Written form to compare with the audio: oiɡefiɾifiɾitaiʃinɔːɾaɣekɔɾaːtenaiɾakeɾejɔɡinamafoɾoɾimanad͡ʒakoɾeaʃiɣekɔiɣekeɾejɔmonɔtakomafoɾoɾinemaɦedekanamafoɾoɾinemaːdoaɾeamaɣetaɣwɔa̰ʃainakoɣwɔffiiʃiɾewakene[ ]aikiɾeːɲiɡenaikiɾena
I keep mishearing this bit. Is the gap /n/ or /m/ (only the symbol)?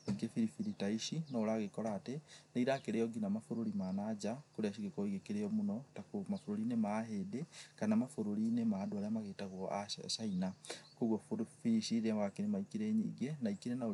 m